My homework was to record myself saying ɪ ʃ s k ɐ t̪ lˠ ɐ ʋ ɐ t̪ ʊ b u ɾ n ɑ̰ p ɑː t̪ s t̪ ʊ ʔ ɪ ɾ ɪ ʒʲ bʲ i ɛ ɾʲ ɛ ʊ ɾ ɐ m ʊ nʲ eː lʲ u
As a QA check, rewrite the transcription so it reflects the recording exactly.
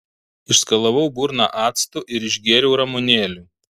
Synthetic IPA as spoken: ɪ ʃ s k ɐ lˠ ɐ ʋ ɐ ʊ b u ɾ n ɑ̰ ʔ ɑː t̪ s t̪ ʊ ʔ ɪ ɾ ɪ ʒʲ ɡʲ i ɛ ɾʲ ɛ ʊ ɾ ɐ m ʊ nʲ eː lʲ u